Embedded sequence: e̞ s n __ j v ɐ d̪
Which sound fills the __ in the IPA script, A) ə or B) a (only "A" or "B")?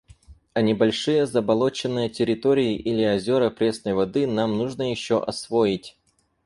A